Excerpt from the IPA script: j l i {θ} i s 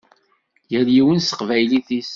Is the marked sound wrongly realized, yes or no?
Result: no